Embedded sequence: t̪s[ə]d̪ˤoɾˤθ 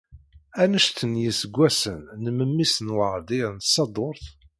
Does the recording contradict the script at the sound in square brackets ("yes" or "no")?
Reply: yes